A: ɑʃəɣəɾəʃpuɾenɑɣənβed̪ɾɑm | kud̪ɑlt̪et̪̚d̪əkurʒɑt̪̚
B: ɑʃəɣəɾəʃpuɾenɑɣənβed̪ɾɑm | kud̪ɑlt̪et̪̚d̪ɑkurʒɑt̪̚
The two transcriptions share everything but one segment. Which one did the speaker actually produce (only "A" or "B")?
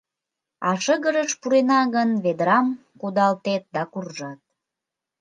B